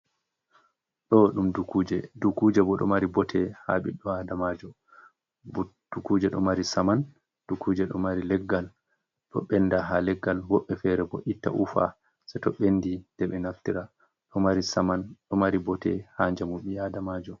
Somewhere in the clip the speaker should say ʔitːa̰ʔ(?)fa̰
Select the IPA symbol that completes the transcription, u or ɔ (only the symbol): u